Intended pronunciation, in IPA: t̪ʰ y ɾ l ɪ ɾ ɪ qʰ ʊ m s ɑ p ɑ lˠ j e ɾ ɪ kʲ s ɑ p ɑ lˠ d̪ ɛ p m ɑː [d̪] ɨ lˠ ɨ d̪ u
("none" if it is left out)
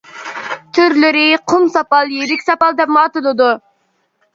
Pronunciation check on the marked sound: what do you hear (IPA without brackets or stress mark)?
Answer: t̪